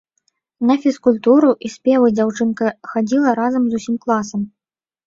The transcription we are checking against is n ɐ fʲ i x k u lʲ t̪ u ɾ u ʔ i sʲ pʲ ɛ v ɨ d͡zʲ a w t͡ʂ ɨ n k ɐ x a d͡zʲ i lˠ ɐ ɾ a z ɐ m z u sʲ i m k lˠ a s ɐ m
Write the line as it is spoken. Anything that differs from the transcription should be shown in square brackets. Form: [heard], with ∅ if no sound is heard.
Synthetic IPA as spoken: n ɐ fʲ i [s] k u lʲ t̪ u ɾ u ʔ i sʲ pʲ ɛ v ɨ d͡zʲ a w t͡ʂ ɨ n k ɐ x a d͡zʲ i lˠ ɐ ɾ a z ɐ m z u sʲ i m k lˠ a s ɐ m